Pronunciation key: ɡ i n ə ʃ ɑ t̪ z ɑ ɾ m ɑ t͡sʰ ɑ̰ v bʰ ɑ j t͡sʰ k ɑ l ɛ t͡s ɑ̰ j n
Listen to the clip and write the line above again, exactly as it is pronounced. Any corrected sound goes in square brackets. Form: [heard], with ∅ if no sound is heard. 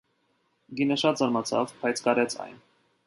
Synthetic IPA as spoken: ɡ i n ə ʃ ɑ t̪ z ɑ ɾ m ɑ t͡sʰ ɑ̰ v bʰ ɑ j t͡sʰ k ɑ [ɾ] ɛ [t͡sʰ] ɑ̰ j n

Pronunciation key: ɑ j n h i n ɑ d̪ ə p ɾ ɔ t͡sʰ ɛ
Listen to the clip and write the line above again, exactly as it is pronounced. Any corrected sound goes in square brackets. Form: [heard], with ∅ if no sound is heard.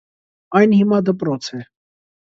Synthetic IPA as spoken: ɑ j n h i [m] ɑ d̪ ə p ɾ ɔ t͡sʰ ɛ

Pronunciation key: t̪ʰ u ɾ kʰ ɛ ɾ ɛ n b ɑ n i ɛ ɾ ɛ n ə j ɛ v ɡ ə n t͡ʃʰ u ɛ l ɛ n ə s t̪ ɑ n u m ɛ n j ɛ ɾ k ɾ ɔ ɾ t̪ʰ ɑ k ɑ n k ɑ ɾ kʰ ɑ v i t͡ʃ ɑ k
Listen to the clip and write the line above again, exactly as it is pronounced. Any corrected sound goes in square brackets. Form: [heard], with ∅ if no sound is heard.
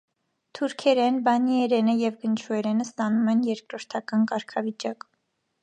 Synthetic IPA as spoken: t̪ʰ u ɾ kʰ ɛ ɾ ɛ n b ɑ n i ɛ ɾ ɛ n ə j ɛ v ɡ ə n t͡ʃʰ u ɛ [ɾ] ɛ n ə s t̪ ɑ n u m ɛ n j ɛ ɾ k ɾ ɔ ɾ t̪ʰ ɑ k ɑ n k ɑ ɾ kʰ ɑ v i t͡ʃ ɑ k

